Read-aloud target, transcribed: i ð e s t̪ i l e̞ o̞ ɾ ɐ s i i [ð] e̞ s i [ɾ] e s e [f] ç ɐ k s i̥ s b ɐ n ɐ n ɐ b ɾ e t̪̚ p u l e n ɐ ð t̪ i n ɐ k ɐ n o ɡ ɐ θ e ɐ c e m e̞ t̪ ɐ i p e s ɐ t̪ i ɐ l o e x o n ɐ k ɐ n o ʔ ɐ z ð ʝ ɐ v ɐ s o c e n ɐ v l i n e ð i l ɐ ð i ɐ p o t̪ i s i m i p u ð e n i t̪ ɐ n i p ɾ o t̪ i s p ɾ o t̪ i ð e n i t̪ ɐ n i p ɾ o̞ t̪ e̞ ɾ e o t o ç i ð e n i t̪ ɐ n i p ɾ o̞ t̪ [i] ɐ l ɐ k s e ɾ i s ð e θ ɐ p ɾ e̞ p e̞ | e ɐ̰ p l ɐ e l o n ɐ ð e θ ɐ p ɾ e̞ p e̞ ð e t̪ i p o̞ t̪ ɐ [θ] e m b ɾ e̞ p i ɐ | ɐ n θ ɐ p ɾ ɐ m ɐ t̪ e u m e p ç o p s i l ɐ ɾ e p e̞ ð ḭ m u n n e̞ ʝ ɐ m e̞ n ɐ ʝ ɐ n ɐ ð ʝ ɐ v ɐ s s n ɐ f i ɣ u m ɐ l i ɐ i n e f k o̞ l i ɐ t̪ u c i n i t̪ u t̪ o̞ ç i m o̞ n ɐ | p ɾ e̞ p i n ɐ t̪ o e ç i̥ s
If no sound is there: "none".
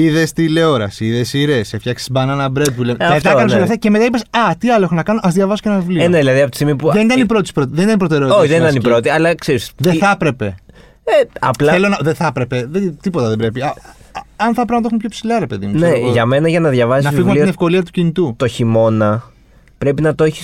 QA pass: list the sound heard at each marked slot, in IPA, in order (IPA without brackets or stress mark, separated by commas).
ð, ɾ, f, i, ð